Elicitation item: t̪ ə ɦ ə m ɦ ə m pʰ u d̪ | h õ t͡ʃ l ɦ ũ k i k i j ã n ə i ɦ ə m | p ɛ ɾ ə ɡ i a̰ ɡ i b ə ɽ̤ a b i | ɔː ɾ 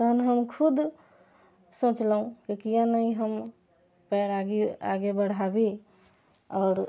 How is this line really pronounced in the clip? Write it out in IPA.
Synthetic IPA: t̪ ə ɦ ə n ɦ ə m kʰ u d̪ | s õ t͡ʃ l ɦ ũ k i k i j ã n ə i ɦ ə m | p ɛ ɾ a ɡ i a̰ ɡ e b ə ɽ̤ a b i | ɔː ɾ